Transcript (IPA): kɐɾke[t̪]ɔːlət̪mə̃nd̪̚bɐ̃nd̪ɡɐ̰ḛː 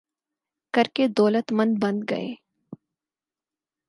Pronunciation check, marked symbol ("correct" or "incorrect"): incorrect